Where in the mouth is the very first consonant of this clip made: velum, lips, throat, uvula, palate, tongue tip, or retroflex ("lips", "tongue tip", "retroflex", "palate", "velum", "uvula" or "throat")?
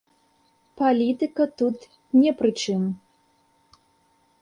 lips